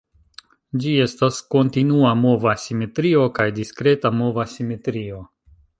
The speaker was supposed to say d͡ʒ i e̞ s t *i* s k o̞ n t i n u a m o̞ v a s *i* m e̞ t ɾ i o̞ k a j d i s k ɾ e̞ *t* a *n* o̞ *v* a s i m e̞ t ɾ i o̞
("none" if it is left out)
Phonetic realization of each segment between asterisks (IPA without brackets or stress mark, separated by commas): a, i, t, m, v